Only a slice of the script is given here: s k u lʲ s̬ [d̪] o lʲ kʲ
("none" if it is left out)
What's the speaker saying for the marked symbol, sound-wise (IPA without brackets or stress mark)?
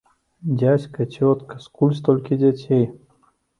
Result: t̪